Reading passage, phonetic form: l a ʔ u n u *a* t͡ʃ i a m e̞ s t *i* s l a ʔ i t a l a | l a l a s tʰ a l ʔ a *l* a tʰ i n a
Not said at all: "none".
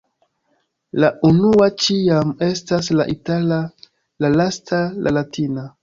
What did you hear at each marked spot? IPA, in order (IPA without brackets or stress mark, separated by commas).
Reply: a, a, l